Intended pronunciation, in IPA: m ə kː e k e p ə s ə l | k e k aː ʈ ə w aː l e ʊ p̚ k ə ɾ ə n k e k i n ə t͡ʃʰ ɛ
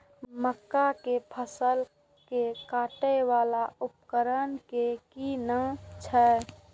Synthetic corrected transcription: m ə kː a k e pʰ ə s ə l | k e k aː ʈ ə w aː l a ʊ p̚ k ə ɾ ə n k e k i n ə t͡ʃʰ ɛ